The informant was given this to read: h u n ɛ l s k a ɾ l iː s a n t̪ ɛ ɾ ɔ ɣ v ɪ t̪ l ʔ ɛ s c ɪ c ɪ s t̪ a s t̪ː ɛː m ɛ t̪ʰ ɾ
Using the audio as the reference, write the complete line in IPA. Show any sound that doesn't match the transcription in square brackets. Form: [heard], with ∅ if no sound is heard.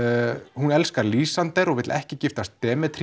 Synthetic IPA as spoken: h u n ɛ l s k a ɾ l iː s a n t̪ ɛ ɾ ɔ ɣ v ɪ t̪ l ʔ ɛ [h] c ɪ c ɪ [f] t̪ a s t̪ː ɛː m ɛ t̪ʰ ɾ